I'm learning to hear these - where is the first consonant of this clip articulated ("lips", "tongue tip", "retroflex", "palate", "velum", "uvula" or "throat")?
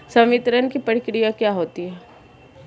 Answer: tongue tip